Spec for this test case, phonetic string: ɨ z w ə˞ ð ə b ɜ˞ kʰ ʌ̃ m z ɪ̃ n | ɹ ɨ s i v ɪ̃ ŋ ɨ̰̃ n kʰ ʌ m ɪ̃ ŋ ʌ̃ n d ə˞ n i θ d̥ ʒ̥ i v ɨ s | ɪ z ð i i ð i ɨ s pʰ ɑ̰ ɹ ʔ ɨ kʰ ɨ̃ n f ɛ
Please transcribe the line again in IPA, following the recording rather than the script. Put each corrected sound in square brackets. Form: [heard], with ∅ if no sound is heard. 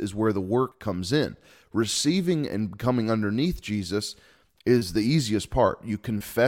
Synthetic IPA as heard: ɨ z w ə˞ ð ə [w] ɜ˞ kʰ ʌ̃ m z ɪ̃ n | ɹ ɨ s i v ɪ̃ ŋ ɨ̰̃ n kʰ ʌ m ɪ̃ ŋ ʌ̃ n d ə˞ n i θ d̥ ʒ̥ i [z] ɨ s | ɪ z ð i i [z] i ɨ s pʰ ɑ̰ ɹ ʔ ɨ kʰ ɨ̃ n f ɛ